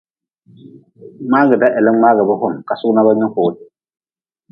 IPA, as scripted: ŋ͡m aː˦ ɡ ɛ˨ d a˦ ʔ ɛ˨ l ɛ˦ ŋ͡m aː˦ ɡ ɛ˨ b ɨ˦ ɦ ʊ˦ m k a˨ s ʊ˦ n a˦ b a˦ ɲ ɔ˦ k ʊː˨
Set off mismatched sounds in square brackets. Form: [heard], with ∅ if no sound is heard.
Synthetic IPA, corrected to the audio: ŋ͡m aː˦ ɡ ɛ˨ d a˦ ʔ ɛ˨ l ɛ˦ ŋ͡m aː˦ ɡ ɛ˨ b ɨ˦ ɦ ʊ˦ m k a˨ s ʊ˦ n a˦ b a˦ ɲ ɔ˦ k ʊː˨